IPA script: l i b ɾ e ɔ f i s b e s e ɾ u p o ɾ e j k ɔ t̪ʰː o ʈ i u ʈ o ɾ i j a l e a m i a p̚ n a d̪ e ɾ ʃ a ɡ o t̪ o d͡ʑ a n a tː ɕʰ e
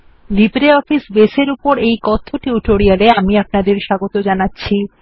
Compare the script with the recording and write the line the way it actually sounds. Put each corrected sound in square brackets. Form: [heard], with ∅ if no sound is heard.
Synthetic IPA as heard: l i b ɾ e ɔ f i s b e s e ɾ u p o ɾ e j k ɔ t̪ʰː o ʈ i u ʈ o ɾ i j a l e a m i a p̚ n a d̪ e ɾ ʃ a ɡ o t̪ o d͡ʑ a n a tː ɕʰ [i]

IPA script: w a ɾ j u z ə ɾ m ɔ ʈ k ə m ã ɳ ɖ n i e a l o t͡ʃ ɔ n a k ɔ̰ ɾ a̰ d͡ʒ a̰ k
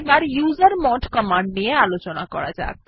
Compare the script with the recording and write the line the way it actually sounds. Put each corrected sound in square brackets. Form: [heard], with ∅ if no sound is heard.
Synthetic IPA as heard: [b] a ɾ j u z ə ɾ m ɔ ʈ k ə m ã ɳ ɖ n i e a l o t͡ʃ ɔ n a k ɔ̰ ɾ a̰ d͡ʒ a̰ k

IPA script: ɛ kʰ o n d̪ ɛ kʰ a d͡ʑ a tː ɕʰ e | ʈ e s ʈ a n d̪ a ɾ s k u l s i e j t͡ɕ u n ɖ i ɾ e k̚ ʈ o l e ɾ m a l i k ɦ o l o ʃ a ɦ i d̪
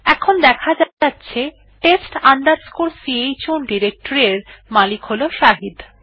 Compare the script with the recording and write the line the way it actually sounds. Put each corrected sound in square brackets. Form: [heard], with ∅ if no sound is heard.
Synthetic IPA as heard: ɛ kʰ o n d̪ ɛ kʰ a d͡ʑ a tː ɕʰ e | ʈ e s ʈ a n d̪ a ɾ s k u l s i e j t͡ɕ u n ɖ i ɾ e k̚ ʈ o [ɾ] e ɾ m a l i k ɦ o l o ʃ a ɦ i d̪

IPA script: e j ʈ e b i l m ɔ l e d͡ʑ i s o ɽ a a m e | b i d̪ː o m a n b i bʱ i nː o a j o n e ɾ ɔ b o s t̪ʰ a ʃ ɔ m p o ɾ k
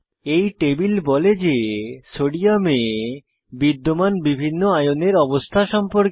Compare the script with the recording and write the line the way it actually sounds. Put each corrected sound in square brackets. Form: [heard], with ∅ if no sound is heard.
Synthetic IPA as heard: e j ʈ e b i l [b] ɔ l e d͡ʑ [e] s o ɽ [i] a m e | b i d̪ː o m a n b i bʱ i nː o a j o n e ɾ ɔ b o s t̪ʰ a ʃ ɔ m p o ɾ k

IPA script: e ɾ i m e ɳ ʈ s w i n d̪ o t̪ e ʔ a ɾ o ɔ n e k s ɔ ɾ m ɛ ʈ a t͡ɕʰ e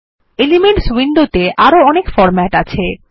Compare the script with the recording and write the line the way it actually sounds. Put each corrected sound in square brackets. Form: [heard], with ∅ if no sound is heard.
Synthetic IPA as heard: e [l] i m e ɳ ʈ s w i n d̪ o t̪ e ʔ a ɾ o ɔ n e k [f] ɔ ɾ m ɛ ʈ a t͡ɕʰ e

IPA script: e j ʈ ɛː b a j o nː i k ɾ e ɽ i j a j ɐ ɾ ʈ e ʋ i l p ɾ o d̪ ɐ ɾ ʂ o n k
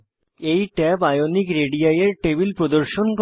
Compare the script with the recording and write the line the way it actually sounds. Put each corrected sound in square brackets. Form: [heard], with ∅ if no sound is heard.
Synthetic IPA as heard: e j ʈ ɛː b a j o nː i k ɾ e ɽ i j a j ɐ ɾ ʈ e ʋ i l p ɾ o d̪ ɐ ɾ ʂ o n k

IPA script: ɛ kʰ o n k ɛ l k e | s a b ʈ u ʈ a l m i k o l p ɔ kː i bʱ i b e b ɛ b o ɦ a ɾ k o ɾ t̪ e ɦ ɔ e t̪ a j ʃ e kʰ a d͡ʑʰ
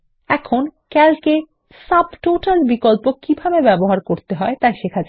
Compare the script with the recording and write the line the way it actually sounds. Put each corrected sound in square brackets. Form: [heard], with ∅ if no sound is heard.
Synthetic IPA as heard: ɛ kʰ o n k ɛ l k e | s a b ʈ [o] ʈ a l [b] i k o l p [o] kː i bʱ [a] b e b ɛ b o ɦ a ɾ k o ɾ t̪ e ɦ ɔ e t̪ a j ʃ e kʰ a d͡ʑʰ

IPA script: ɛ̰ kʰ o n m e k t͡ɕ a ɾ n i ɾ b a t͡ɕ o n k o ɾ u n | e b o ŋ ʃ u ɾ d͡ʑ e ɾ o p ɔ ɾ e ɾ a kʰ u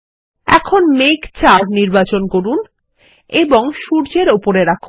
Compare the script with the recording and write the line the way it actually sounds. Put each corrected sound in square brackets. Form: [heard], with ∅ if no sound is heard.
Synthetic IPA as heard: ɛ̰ kʰ o n m e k t͡ɕ a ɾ n i ɾ b a t͡ɕ o n k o ɾ u n | e b o ŋ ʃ u ɾ d͡ʑ e ɾ o p [o] ɾ e ɾ a kʰ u

